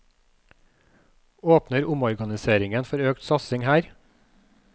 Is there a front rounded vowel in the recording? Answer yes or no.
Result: yes